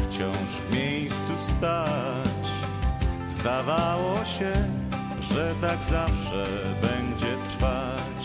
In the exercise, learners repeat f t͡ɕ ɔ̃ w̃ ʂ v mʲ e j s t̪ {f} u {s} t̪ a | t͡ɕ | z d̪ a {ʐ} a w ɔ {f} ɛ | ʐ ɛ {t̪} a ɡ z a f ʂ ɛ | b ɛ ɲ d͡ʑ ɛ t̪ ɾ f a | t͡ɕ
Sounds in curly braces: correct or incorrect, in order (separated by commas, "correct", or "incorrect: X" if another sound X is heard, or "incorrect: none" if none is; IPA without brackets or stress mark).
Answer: incorrect: s, correct, incorrect: v, incorrect: ɕ, correct